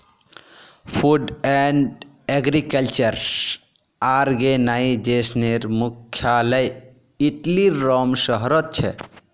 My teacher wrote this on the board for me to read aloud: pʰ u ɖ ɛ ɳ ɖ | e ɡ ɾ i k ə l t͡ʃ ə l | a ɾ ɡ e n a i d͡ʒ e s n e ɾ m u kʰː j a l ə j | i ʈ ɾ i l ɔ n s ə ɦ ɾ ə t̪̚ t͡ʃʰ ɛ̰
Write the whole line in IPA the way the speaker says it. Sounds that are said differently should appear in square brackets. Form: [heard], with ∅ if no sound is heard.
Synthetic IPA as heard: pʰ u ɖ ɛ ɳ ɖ | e ɡ ɾ i k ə l t͡ʃ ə [ɾ] | a ɾ ɡ e n a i d͡ʒ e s n e ɾ m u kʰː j a l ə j | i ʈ [l] i [ɾ] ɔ [m] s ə ɦ ɾ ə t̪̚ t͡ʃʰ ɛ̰